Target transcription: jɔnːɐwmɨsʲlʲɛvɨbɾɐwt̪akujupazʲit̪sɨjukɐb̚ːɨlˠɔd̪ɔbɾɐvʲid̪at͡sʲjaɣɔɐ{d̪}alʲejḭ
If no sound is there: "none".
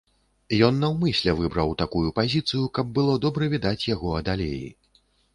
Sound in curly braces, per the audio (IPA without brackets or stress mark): d̪